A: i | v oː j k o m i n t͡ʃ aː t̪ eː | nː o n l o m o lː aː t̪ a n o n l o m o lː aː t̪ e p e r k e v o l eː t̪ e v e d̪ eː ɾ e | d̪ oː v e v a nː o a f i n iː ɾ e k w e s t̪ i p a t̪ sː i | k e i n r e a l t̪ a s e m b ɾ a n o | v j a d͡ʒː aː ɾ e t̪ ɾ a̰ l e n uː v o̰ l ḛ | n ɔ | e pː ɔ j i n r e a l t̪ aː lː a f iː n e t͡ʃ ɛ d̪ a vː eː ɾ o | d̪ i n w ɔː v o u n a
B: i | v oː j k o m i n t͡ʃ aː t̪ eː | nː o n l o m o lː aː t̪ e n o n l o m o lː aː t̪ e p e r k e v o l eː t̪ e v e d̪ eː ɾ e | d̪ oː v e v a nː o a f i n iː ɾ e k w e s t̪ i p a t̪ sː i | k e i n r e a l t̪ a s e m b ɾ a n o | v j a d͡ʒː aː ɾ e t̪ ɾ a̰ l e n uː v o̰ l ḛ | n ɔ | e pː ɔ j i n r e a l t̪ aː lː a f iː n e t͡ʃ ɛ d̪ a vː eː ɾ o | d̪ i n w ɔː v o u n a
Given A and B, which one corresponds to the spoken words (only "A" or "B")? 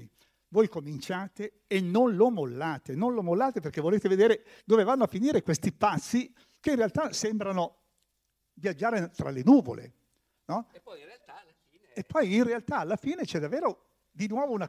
B